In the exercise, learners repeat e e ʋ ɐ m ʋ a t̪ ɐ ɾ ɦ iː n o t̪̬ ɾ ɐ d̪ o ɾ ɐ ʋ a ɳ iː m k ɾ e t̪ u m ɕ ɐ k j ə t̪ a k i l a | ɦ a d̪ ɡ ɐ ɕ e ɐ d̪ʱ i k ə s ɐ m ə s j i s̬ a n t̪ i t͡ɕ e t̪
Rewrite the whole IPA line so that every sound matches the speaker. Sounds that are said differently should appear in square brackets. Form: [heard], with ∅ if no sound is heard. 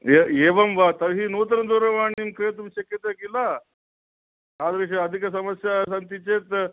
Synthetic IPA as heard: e e ʋ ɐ m ʋ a t̪ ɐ ɾ ɦ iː n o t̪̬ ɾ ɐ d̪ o ɾ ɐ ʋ a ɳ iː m k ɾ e t̪ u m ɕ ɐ k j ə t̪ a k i l a | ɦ a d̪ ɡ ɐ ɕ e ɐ d̪ʱ i k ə s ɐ m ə s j [a] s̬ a n t̪ i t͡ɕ e t̪